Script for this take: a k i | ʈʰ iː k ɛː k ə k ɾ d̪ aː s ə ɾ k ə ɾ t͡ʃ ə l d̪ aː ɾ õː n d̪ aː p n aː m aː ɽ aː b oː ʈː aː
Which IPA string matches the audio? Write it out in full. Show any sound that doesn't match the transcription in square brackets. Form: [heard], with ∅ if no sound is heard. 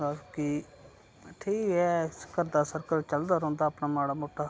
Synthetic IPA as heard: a k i | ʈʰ iː k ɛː k ə [∅] ɾ d̪ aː s ə ɾ k ə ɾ t͡ʃ ə l d̪ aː ɾ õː n d̪ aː p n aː m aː ɽ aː [m] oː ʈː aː